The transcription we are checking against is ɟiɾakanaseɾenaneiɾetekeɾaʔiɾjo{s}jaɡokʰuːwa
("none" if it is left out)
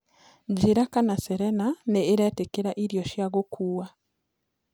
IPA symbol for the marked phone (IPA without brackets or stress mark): ʃ